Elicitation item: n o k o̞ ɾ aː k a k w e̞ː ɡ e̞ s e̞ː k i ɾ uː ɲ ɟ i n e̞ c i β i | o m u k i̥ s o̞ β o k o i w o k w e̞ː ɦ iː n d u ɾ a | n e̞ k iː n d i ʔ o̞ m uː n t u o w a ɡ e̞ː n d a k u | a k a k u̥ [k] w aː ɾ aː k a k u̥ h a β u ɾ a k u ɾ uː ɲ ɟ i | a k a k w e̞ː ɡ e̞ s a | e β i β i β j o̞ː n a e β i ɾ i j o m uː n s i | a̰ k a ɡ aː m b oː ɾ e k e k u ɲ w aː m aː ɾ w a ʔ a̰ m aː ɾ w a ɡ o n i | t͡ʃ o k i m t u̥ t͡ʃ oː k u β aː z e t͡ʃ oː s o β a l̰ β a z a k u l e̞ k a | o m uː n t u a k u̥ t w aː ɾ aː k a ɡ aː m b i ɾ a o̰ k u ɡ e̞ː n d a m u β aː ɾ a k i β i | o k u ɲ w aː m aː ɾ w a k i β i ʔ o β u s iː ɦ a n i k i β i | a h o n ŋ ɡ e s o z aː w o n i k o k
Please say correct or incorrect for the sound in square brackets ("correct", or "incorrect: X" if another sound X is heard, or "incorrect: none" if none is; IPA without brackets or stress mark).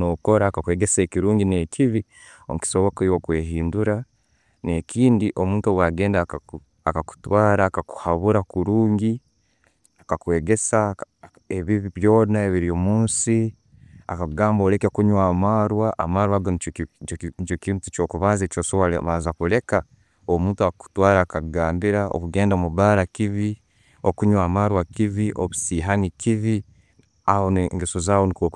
incorrect: t